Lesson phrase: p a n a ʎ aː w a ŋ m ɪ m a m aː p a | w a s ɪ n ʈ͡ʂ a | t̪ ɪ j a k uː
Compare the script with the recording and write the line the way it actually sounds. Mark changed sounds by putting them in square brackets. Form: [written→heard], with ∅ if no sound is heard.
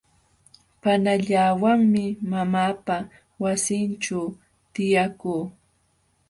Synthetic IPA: p a n a ʎ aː w a ŋ m ɪ m a m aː p a | w a s ɪ n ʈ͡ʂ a | t̪ ɪ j a k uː